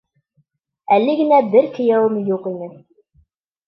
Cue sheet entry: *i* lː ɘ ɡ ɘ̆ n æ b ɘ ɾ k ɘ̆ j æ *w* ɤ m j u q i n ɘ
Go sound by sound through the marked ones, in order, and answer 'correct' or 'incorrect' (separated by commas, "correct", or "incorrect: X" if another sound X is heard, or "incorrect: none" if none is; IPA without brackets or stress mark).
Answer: incorrect: æ, correct